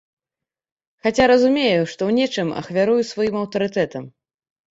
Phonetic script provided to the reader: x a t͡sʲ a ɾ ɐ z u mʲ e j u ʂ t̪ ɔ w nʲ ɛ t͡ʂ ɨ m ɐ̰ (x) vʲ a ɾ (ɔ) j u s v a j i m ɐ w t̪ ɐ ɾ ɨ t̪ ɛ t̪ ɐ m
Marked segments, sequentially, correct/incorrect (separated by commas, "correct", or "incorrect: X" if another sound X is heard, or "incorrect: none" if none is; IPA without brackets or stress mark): correct, incorrect: u